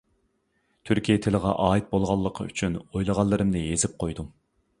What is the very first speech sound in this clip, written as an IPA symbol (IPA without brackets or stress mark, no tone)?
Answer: t̪ʰ